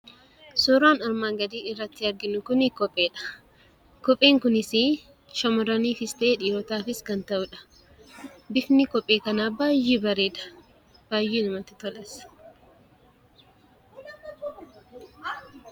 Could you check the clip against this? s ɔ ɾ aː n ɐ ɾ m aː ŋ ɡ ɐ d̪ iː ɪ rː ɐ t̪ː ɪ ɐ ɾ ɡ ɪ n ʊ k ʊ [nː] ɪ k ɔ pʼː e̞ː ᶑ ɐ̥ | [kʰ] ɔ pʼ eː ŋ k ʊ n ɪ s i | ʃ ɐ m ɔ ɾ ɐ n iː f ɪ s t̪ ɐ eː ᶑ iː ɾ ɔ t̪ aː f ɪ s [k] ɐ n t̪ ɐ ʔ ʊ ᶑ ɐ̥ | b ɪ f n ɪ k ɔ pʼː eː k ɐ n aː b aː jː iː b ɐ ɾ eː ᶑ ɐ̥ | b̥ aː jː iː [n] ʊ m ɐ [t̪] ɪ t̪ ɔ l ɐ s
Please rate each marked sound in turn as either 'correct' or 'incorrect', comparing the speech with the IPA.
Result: incorrect, incorrect, correct, correct, correct

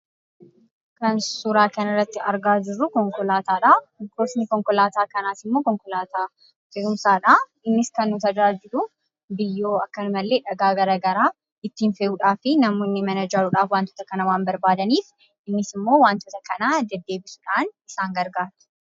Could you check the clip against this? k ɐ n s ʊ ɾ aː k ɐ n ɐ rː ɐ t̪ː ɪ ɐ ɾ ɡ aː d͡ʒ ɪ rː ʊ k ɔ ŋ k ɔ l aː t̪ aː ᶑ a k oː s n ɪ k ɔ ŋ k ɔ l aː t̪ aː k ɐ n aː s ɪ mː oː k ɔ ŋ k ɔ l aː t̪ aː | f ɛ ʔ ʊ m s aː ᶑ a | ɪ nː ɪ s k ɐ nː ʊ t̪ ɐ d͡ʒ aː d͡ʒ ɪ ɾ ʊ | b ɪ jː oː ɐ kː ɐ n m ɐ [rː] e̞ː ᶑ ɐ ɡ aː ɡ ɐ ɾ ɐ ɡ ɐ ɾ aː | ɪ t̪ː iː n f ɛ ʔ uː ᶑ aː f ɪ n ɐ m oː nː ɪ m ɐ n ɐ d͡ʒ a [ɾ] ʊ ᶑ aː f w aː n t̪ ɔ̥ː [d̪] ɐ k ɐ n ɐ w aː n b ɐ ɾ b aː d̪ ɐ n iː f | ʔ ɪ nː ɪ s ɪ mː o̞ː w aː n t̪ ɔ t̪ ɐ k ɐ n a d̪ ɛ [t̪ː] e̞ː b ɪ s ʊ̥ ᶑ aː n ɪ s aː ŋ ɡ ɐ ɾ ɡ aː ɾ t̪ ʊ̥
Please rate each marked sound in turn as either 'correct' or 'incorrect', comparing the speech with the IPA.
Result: incorrect, correct, incorrect, incorrect

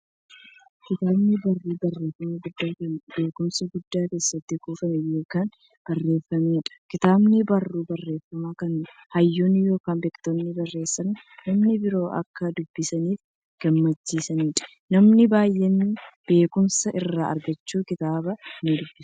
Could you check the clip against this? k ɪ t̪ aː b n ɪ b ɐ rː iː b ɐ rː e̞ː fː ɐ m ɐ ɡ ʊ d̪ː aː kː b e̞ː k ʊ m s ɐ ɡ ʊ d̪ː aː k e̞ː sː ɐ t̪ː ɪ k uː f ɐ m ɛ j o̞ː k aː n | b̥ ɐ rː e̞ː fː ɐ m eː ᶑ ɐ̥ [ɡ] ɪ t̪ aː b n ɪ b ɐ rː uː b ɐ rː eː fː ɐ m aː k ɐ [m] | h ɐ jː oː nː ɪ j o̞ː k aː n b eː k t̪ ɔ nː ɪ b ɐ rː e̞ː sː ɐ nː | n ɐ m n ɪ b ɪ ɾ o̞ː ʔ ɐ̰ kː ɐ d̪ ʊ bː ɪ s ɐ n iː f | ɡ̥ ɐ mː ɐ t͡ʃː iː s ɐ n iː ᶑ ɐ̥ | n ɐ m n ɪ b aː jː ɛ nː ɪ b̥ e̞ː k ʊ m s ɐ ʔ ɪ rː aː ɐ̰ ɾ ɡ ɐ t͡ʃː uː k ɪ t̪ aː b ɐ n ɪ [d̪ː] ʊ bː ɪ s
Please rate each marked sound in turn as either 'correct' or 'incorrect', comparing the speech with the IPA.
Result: incorrect, incorrect, incorrect

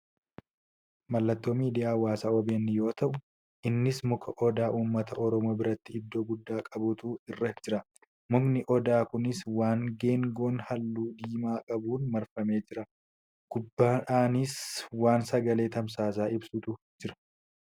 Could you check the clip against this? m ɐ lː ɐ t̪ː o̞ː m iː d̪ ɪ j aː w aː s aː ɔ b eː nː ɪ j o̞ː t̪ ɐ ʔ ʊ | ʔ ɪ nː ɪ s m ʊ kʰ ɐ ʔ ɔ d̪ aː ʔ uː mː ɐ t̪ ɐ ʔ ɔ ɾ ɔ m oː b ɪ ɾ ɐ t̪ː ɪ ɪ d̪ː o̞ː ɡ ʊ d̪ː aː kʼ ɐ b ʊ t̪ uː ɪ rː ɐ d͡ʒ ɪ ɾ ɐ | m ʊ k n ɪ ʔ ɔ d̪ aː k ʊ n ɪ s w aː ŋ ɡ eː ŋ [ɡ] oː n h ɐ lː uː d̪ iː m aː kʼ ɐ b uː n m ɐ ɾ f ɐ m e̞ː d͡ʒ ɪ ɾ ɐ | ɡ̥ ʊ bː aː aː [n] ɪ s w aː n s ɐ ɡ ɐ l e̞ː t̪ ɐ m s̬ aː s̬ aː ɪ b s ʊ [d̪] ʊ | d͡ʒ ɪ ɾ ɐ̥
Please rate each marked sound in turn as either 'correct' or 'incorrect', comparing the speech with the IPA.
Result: correct, correct, incorrect

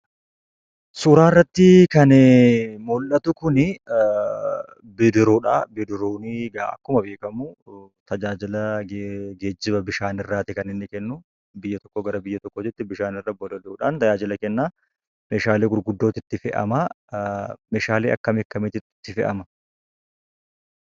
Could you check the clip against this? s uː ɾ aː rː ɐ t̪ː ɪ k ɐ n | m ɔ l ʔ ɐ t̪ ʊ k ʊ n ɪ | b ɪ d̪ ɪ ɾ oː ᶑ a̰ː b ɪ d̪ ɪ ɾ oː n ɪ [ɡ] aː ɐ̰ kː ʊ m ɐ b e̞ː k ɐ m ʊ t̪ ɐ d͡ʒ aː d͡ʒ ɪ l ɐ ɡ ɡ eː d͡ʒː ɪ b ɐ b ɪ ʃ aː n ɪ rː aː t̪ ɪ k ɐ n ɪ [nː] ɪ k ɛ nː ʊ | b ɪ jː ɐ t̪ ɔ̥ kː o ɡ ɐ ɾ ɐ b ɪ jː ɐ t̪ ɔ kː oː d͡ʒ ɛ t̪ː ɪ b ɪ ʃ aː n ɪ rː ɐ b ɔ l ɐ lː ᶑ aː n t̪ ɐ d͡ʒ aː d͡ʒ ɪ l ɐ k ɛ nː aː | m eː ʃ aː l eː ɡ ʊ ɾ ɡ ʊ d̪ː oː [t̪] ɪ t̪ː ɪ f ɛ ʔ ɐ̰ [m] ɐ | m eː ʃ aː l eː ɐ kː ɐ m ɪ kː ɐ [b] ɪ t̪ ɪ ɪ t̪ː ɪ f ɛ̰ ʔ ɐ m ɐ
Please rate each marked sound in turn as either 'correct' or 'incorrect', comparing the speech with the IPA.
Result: correct, correct, correct, correct, incorrect

